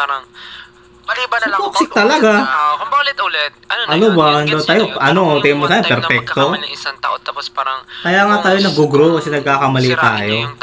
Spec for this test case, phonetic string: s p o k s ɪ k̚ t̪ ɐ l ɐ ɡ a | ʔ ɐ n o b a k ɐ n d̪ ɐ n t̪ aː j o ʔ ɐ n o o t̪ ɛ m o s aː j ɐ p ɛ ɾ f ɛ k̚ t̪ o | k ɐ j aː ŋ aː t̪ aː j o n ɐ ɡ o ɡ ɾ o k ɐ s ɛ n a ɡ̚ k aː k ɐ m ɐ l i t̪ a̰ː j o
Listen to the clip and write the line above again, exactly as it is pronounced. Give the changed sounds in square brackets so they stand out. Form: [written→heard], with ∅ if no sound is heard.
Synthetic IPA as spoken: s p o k s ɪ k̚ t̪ ɐ l ɐ ɡ a | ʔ ɐ n o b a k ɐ n d̪ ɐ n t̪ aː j o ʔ ɐ n o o t̪ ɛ m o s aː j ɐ p ɛ ɾ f ɛ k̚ t̪ o | k ɐ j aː ŋ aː t̪ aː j o n ɐ ɡ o ɡ ɾ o k ɐ s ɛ n [a→ɐ] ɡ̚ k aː k ɐ m ɐ l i t̪ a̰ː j o

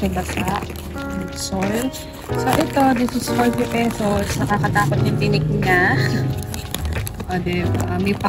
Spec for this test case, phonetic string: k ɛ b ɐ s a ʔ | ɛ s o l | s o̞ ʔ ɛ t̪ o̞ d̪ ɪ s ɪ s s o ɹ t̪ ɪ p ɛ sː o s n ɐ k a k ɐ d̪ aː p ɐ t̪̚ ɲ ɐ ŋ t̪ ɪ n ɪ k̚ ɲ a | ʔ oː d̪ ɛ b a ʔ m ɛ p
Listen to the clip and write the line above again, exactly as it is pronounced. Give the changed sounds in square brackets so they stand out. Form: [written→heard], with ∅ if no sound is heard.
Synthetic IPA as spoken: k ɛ b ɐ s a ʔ | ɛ s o l | s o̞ ʔ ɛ t̪ o̞ d̪ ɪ s ɪ s [s→f] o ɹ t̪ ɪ p ɛ [sː→s] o s n ɐ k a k ɐ [d̪→t̪] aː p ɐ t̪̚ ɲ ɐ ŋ t̪ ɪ n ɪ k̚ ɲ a | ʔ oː d̪ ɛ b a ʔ m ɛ p

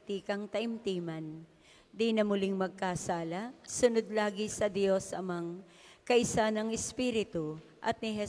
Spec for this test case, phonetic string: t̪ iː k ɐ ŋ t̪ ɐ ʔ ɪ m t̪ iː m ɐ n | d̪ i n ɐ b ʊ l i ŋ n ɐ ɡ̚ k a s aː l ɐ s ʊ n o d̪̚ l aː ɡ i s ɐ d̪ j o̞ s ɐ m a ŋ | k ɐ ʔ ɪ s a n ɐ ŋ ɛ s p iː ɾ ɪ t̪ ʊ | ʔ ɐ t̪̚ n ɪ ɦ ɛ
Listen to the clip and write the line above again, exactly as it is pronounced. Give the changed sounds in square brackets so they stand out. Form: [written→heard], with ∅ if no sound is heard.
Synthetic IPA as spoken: t̪ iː k ɐ ŋ t̪ ɐ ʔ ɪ m t̪ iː m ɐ n | d̪ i n ɐ [b→m] ʊ l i ŋ [n→m] ɐ ɡ̚ k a s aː l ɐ s ʊ n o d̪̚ l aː ɡ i s ɐ d̪ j o̞ s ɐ m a ŋ | k ɐ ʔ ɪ s a n ɐ ŋ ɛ s p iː ɾ ɪ t̪ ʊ | ʔ ɐ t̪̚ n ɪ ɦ ɛ

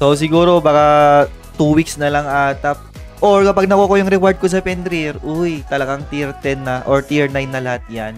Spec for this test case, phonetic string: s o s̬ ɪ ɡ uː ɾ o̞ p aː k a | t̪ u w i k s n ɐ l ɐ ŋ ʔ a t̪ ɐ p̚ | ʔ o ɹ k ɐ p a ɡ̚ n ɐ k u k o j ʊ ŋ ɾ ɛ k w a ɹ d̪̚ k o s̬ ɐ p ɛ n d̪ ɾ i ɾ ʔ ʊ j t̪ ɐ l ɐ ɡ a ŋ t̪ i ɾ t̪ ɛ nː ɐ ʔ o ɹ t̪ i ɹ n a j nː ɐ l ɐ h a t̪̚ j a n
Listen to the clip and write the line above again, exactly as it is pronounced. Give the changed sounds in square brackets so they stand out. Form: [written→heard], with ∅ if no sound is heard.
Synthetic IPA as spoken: s o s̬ ɪ ɡ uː ɾ o̞ [p→b] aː k a | t̪ u w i k s n ɐ l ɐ ŋ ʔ a t̪ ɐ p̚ | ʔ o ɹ k ɐ p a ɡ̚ n ɐ k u k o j ʊ ŋ ɾ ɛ k w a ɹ d̪̚ k o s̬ ɐ p ɛ n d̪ ɾ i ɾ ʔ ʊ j t̪ ɐ l ɐ ɡ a ŋ t̪ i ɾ t̪ ɛ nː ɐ ʔ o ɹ t̪ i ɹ n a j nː ɐ l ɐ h a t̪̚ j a n

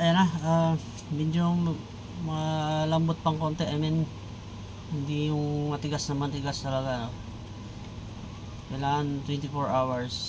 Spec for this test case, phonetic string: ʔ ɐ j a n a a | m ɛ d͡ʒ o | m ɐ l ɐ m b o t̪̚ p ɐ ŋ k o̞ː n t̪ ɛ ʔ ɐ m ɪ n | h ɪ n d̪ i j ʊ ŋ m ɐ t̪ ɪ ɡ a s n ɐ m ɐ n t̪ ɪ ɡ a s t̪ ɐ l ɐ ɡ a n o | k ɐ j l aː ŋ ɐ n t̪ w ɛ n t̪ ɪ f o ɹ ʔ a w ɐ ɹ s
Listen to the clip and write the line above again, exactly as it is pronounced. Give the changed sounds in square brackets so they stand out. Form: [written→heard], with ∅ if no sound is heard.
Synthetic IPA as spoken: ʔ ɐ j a n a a | m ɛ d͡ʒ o | m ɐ l ɐ m b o t̪̚ p ɐ ŋ k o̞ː n t̪ ɛ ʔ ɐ m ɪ n | h ɪ n d̪ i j ʊ ŋ m ɐ t̪ ɪ ɡ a s n ɐ m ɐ n t̪ ɪ ɡ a s t̪ ɐ l ɐ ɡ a n o | k ɐ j l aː ŋ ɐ n t̪ w ɛ n t̪ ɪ f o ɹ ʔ a w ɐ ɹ s

